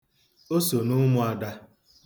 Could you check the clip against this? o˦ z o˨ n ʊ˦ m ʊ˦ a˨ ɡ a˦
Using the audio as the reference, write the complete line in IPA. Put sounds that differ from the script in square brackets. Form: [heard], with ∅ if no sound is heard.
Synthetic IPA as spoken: o˦ [s] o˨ n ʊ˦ m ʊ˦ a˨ [d] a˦